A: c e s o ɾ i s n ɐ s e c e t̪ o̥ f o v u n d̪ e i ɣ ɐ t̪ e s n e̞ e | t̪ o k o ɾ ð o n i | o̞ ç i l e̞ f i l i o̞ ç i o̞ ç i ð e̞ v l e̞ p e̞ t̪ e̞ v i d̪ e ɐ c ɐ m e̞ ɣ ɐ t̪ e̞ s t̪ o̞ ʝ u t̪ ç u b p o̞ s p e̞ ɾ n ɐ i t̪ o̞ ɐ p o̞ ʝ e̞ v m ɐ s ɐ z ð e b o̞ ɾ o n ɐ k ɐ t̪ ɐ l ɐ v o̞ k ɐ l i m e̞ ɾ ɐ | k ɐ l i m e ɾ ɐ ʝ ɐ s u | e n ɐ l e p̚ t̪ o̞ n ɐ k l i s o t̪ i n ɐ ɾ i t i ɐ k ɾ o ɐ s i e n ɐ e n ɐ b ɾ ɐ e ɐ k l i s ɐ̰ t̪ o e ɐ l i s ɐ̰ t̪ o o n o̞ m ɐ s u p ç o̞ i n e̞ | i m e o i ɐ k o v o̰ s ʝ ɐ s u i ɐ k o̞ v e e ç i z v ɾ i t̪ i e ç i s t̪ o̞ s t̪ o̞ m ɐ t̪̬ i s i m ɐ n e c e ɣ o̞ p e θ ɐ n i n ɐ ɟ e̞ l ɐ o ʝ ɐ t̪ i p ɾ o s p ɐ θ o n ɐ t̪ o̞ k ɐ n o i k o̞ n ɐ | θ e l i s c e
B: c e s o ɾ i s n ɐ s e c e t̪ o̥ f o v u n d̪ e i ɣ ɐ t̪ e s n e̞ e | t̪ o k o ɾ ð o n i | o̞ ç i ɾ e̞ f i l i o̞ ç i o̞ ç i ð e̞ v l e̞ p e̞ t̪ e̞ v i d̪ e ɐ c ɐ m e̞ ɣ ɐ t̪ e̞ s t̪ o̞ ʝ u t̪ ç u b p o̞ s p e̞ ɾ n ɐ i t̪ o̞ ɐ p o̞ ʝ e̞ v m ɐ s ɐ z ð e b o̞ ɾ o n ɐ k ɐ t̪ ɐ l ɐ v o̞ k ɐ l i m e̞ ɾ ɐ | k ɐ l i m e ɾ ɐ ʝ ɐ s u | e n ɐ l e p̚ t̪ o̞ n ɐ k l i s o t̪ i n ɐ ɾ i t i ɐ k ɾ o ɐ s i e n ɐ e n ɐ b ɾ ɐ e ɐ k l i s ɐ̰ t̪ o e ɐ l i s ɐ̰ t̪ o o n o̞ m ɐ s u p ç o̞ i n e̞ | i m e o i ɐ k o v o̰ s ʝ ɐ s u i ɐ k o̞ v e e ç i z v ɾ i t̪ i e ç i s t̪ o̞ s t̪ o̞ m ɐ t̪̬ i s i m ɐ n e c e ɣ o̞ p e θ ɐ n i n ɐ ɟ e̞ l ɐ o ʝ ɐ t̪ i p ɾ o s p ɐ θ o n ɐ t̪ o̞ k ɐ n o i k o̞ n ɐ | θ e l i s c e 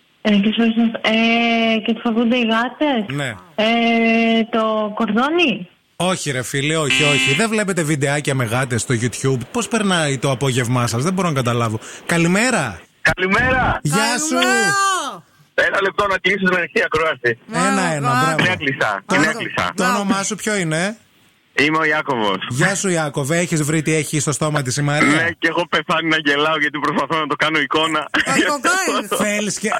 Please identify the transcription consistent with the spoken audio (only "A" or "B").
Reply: B